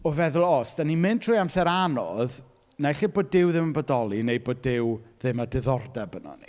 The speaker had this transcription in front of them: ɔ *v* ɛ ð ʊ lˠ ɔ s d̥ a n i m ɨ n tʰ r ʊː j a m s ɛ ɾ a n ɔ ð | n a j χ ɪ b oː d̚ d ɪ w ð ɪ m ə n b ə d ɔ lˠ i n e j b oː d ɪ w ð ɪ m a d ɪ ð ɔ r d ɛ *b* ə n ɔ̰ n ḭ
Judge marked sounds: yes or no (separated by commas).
yes, yes